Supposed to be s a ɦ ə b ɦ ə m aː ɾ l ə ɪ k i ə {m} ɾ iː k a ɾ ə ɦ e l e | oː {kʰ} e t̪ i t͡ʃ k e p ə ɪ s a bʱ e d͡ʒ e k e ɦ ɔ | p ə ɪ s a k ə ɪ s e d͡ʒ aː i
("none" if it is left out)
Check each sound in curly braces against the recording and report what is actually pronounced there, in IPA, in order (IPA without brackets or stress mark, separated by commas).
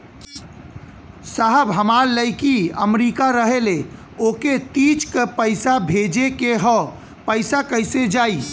m, k